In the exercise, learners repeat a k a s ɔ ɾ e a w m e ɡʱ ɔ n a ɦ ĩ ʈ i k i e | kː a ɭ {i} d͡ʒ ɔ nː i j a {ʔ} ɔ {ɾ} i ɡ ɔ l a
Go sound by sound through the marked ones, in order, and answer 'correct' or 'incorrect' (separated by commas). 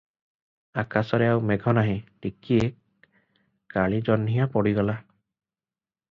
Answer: correct, incorrect, incorrect